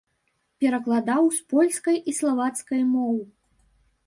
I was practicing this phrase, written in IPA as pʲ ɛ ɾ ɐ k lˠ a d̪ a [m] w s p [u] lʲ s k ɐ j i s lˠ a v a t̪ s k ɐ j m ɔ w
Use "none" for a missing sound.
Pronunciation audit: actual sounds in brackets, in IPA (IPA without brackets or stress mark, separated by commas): none, ɔ